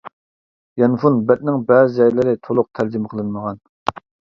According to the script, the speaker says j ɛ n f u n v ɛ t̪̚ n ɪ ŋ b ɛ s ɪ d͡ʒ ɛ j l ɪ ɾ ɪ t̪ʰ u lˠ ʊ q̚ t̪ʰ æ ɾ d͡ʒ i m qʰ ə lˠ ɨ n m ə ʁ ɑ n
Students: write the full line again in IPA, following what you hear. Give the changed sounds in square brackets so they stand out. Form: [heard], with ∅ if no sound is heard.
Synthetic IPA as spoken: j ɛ n f u n [b] ɛ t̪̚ n ɪ ŋ b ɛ [z] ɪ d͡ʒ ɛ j l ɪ ɾ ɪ t̪ʰ [o] lˠ ʊ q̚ t̪ʰ æ ɾ d͡ʒ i m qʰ ə lˠ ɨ n m ə ʁ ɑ n